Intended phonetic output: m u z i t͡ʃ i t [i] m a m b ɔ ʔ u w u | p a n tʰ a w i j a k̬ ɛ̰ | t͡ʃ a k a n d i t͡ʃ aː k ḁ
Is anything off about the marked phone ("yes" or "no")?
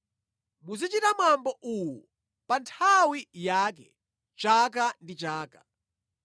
yes